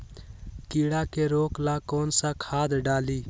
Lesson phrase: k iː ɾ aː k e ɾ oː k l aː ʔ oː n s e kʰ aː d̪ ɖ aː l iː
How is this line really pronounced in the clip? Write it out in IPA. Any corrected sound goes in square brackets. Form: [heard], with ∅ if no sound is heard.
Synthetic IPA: k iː [ɽ] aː k e ɾ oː k l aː [k] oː n s [a] kʰ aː d̪ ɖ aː l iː